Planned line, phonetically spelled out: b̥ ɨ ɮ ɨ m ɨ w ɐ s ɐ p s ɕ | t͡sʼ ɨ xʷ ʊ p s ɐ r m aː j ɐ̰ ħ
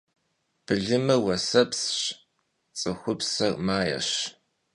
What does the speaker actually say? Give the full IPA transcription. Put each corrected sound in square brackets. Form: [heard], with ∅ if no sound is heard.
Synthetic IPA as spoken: b̥ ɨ ɮ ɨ m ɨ w ɐ s ɐ p s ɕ | t͡sʼ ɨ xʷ ʊ p s ɐ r m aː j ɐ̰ [ɕ]